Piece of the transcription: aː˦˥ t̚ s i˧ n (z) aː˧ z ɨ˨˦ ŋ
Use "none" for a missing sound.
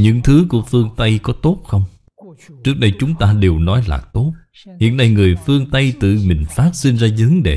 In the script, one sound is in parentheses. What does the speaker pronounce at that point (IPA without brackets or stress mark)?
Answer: z